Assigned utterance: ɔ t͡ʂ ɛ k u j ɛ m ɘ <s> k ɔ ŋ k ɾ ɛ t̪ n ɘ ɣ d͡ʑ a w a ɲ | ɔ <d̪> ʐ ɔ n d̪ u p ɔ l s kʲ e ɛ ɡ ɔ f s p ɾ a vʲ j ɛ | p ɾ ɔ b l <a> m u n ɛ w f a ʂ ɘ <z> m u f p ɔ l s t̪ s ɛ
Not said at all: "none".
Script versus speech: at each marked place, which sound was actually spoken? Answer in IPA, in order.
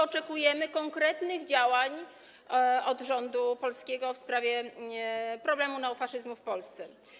none, d̪, ɛ, z

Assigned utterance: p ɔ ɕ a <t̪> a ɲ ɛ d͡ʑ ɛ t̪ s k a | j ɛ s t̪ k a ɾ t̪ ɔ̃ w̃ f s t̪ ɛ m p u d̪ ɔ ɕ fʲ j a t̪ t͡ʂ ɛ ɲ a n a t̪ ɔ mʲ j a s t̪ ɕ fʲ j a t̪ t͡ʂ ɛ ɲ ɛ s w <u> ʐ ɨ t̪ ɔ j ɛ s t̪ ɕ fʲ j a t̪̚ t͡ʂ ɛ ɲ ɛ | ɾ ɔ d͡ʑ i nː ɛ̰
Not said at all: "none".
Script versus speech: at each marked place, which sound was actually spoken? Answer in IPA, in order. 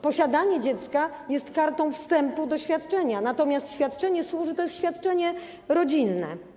d̪, u

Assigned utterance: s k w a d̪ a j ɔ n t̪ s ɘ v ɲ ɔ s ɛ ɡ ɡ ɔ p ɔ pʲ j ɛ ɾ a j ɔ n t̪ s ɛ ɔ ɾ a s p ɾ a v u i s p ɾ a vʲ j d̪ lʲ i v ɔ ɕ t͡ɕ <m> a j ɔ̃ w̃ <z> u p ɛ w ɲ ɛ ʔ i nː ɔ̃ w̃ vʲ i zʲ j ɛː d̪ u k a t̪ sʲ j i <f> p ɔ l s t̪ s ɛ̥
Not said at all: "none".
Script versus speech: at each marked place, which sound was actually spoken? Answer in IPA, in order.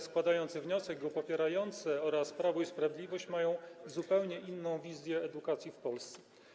m, z, f

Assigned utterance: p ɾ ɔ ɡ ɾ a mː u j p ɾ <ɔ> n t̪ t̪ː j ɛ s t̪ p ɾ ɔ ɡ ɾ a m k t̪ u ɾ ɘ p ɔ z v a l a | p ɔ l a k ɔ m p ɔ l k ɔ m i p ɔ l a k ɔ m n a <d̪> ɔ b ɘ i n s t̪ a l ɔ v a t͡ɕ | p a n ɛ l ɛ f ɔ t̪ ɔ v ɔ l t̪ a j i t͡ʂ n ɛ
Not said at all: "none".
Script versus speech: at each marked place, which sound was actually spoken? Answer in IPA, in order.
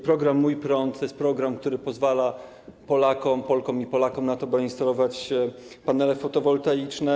ɔ, t̪

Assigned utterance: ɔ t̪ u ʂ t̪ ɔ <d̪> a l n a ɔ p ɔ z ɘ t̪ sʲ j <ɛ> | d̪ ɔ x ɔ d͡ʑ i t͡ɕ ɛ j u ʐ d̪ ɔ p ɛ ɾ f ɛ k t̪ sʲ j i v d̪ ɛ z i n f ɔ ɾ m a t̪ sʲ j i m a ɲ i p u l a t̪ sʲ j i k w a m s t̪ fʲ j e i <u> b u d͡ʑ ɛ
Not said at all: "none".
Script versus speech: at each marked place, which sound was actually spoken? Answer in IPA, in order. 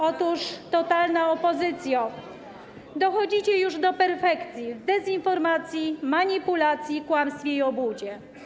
t̪, a, ɔ

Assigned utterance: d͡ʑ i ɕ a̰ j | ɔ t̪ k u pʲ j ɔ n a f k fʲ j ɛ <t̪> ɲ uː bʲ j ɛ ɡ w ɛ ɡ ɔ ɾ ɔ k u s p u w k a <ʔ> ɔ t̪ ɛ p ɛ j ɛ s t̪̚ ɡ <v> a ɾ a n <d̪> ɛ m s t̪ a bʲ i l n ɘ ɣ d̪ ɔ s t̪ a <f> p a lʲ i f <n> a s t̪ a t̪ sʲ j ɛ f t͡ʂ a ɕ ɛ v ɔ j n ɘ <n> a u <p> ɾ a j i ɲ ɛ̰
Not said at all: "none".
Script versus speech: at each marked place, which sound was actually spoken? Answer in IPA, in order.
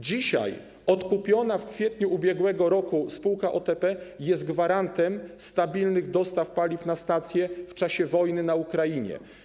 t̪, ʔ, v, t̪, f, n, n, k

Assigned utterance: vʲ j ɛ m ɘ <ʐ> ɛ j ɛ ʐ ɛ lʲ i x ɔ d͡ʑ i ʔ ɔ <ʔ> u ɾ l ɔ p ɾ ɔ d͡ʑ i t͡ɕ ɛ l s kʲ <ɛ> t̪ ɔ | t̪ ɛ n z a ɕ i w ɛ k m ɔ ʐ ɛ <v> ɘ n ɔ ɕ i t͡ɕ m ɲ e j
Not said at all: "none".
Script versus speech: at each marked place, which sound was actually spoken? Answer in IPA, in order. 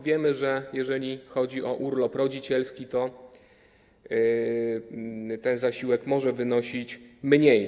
ʐ, ʔ, i, v

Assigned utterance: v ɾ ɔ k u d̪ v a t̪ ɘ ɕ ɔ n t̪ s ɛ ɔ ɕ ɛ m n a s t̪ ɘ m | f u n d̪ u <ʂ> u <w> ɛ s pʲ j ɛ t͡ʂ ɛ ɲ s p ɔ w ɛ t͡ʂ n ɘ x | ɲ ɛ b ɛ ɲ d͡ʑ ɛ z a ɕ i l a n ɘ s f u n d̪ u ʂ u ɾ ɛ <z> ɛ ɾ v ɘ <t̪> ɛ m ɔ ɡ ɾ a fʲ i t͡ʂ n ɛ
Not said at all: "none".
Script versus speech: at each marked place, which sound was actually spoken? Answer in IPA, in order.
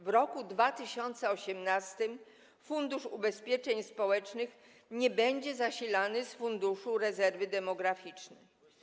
ʂ, b, z, d̪

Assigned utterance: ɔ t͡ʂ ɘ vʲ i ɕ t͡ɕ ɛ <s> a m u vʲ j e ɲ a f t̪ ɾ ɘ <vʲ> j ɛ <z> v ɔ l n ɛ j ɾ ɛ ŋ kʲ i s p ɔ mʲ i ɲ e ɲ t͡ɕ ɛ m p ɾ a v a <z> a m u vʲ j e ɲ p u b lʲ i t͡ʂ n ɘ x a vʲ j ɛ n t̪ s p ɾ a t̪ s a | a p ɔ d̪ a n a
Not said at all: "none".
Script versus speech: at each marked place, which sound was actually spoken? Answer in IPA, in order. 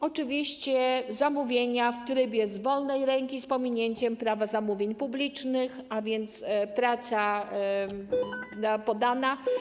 z, bʲ, z, z

